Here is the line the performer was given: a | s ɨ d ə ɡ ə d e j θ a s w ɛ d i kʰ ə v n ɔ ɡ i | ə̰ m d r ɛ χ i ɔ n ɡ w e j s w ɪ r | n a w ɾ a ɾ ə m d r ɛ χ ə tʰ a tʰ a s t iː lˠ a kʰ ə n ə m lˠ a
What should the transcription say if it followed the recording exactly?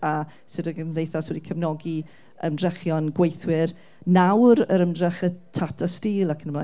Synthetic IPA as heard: a | s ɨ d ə ɡ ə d e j θ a s w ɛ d i kʰ ə v n ɔ ɡ i | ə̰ m d r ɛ χ j ɔ n ɡ w e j θ w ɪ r | n a w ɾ ə ɾ ə m d r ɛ χ ə tʰ a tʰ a s t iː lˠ a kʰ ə n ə m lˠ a